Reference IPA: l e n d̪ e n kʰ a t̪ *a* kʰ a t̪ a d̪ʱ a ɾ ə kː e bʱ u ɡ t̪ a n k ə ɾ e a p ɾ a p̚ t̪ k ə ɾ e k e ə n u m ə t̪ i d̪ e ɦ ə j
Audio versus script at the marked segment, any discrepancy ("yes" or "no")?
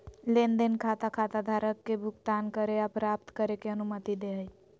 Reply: no